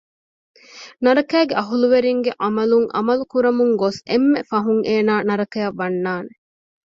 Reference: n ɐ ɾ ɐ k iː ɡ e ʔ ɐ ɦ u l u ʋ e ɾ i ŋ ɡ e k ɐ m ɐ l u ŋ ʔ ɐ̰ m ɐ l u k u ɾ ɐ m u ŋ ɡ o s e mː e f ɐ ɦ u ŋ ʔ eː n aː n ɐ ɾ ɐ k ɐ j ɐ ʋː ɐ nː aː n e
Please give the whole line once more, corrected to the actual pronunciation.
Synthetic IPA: n ɐ ɾ ɐ k æː ɡ e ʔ ɐ ɦ u l u ʋ e ɾ i ŋ ɡ e ʔ ɐ m ɐ l u ŋ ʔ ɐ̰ m ɐ l u k u ɾ ɐ m u ŋ ɡ o s e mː e f ɐ ɦ u ŋ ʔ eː n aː n ɐ ɾ ɐ k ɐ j ɐ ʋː ɐ nː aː n e